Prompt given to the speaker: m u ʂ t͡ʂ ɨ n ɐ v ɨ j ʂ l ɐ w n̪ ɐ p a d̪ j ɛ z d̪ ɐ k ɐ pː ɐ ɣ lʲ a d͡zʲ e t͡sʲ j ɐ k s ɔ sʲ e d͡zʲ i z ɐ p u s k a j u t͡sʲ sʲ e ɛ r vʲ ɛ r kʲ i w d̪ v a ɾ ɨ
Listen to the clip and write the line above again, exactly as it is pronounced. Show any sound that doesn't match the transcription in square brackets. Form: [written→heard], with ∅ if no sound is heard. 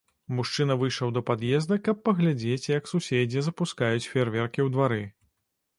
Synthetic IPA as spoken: m u ʂ t͡ʂ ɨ n ɐ v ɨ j ʂ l ɐ w [n̪→d̪] ɐ p a d̪ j ɛ z d̪ ɐ k ɐ pː ɐ ɣ lʲ a d͡zʲ e t͡sʲ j ɐ k s [ɔ→u] sʲ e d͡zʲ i z ɐ p u s k a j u t͡sʲ [sʲ→fʲ] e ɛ r vʲ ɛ r kʲ i w d̪ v a ɾ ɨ